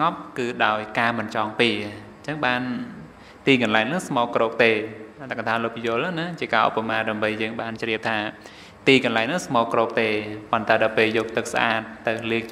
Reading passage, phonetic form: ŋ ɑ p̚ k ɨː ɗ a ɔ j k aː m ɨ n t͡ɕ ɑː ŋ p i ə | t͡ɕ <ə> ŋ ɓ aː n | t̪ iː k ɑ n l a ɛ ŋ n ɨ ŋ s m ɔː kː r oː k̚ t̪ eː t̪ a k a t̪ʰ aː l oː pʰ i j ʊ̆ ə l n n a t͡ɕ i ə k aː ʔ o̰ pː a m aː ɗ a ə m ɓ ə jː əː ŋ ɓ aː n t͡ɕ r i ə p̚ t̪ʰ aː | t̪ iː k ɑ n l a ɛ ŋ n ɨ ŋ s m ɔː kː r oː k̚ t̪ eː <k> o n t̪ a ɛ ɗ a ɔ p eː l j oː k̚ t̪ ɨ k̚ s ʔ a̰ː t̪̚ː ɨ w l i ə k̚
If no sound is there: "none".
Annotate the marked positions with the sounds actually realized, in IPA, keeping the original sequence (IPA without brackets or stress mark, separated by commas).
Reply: ə, p